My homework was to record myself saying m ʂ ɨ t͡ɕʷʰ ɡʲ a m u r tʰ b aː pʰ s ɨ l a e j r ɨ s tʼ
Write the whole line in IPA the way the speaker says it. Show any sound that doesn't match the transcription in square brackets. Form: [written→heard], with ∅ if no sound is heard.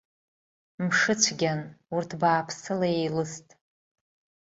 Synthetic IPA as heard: m ʂ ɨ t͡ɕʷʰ ɡʲ a [m→n] u r tʰ b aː pʰ s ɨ l a e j [r→l] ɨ s tʼ